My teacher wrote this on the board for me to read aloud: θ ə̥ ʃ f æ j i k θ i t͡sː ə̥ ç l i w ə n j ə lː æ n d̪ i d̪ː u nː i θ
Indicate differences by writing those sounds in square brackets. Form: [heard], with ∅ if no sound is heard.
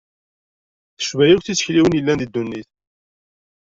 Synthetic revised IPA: θ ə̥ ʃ [v] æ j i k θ i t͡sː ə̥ ç l i w ə n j ə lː æ n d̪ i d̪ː u nː i θ